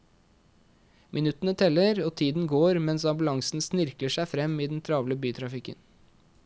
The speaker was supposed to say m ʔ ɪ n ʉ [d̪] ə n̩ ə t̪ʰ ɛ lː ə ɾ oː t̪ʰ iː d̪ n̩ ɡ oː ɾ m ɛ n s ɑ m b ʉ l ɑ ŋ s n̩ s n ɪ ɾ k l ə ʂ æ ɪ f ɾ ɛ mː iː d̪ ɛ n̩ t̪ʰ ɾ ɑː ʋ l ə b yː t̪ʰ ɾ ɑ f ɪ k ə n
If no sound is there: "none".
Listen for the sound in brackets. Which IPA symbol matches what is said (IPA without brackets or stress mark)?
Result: t̪